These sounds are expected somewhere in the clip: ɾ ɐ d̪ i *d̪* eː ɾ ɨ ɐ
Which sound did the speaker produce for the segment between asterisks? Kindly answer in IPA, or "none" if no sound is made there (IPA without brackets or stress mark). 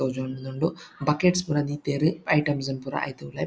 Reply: t̪